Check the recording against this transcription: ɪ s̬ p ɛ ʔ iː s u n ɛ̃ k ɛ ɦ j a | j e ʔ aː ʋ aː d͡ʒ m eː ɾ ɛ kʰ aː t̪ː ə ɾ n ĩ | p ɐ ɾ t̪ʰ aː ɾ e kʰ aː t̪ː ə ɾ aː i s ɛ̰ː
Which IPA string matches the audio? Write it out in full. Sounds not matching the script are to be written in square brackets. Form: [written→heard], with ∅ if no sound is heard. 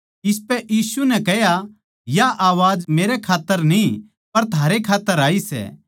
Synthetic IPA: ɪ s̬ p ɛ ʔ iː s u n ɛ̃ k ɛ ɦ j a | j [e→a] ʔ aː ʋ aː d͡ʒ m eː ɾ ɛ kʰ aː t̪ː ə ɾ n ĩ | p ɐ ɾ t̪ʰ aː ɾ e kʰ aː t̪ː ə ɾ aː i s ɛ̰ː